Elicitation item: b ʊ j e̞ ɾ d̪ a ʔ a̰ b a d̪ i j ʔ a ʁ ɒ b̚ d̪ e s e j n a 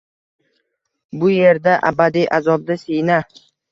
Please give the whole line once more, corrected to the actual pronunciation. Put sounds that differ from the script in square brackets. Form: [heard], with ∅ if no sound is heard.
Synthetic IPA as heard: b ʊ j e̞ ɾ d̪ a ʔ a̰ b a d̪ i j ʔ a [z] ɒ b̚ d̪ [a] s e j n a